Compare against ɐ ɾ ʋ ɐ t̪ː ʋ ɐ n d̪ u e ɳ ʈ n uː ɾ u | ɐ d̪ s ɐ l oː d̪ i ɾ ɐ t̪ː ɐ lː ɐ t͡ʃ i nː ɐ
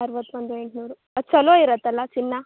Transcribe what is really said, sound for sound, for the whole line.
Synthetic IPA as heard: ɐ ɾ ʋ ɐ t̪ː ʋ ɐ n d̪ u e ɳ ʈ n uː ɾ u | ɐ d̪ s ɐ l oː i ɾ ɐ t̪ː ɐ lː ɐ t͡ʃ i nː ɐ

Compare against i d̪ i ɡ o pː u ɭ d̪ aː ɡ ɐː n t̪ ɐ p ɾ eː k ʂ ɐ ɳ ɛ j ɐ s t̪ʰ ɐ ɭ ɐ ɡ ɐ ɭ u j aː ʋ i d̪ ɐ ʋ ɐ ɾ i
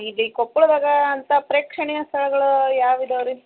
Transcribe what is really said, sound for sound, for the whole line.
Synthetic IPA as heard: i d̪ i k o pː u ɭ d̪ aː ɡ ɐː n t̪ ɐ p ɾ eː k ʂ ɐ ɳ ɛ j ɐ s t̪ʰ ɐ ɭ ɐ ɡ ɐ ɭ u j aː ʋ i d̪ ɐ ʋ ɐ ɾ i

